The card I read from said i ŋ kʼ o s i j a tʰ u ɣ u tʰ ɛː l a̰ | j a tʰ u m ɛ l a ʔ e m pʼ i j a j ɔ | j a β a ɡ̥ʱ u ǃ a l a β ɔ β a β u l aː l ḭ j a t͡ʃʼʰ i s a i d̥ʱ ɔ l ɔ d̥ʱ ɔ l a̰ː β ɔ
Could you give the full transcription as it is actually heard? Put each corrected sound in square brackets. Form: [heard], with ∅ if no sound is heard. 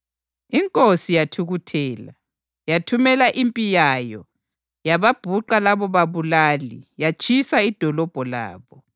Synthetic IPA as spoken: i ŋ kʼ o s i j a tʰ u ɣ u tʰ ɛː l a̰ | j a tʰ u m ɛ l a ʔ [i] m pʼ i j a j ɔ | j a β a [b̥ʱ] u ǃ a l a β ɔ β a β u l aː l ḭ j a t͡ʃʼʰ i s a i d̥ʱ ɔ l ɔ [b̥ʱ] ɔ l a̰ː β ɔ